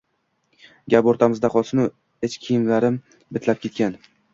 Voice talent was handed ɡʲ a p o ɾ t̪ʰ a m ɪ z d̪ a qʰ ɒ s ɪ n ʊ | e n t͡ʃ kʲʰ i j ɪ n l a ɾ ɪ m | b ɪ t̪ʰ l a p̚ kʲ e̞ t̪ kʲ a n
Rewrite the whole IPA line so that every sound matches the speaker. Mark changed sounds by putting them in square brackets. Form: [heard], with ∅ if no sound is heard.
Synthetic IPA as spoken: ɡʲ a p o ɾ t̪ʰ a m ɪ z d̪ a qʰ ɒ s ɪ n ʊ | e [∅] t͡ʃ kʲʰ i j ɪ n l a ɾ ɪ m | b ɪ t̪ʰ l a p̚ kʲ e̞ t̪ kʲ a n